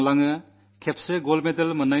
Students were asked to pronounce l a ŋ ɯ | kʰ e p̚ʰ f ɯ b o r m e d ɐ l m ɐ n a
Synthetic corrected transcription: l a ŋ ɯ | kʰ e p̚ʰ s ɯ ɡ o l m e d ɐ l m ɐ n a